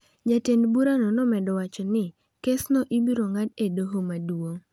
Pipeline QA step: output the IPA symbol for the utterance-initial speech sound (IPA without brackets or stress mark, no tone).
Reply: d͡ʒ